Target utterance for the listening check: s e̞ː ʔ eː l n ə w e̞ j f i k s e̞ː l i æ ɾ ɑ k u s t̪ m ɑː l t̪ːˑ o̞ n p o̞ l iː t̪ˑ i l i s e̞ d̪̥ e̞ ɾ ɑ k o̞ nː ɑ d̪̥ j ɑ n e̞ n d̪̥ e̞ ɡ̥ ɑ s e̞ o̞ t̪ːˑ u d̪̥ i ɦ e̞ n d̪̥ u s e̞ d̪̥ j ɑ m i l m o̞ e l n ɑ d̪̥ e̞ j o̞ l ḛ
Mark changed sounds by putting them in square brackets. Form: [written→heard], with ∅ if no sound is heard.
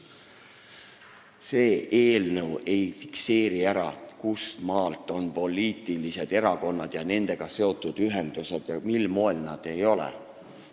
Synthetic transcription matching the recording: s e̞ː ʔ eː l n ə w e̞ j f i k s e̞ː [l→ɾ] i æ ɾ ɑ k u s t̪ m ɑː l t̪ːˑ o̞ n p o̞ l iː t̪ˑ i l i s e̞ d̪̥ e̞ ɾ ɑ k o̞ nː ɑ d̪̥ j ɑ n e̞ n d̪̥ e̞ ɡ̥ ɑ s e̞ o̞ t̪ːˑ u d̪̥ [i→y] ɦ e̞ n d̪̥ u s e̞ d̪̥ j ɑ m i l m o̞ e l n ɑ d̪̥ e̞ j o̞ l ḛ